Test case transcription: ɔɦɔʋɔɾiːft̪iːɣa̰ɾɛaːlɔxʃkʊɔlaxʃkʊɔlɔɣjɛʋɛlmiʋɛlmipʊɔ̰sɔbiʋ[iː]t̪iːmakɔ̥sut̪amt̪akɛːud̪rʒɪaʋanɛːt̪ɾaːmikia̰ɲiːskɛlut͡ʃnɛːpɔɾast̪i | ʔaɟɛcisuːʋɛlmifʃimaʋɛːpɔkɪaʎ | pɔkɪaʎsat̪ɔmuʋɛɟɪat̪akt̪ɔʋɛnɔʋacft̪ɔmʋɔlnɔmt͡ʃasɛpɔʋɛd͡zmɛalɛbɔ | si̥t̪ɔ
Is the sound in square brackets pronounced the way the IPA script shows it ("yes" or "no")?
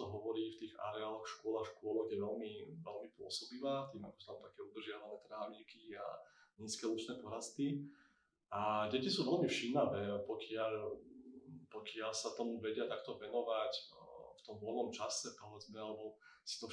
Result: no